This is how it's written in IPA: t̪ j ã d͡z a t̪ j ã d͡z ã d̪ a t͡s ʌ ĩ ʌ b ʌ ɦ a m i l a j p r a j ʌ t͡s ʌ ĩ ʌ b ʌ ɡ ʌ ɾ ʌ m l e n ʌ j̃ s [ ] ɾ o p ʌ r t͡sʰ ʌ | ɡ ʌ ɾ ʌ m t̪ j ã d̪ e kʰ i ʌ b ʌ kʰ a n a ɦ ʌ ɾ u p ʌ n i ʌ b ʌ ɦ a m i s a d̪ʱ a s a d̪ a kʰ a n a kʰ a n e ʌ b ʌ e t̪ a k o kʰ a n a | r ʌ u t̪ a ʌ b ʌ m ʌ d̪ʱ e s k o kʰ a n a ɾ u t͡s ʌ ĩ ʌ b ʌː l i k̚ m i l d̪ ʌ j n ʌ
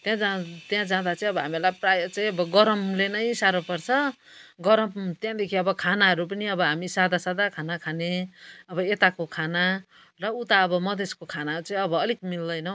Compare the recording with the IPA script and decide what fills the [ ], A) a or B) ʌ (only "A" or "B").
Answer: A